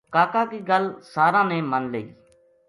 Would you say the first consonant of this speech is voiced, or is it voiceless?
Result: voiceless